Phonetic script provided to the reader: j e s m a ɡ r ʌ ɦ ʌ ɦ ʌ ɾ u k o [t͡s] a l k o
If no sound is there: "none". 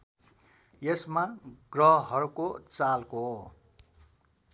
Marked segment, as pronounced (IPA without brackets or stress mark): t͡s